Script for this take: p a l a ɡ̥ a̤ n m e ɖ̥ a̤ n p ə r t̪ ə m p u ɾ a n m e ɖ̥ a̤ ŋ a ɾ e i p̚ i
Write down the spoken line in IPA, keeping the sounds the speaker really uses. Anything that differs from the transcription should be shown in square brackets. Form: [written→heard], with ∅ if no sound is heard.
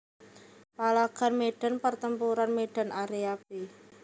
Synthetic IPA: p a l a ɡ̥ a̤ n m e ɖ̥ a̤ n p ə r t̪ ə m p u ɾ a n m e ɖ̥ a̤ [ŋ→n] a ɾ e [i→a] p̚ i